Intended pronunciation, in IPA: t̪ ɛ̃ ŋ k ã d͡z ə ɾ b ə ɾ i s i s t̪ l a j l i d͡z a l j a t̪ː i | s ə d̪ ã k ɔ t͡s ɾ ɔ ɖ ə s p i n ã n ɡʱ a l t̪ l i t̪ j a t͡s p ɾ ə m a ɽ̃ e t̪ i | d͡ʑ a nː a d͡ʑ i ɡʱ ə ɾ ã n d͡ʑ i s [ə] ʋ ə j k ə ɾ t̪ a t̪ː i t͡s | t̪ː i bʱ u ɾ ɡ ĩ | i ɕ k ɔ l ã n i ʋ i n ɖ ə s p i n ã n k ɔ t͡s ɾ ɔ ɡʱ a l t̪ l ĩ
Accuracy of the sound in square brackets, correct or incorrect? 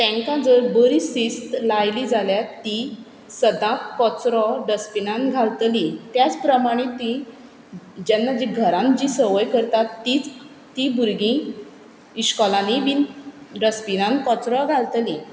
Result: correct